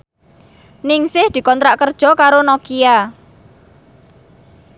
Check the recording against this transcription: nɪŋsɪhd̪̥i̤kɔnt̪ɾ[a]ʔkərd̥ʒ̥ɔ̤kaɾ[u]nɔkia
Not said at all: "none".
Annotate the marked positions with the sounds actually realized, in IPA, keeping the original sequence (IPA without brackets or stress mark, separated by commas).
a, o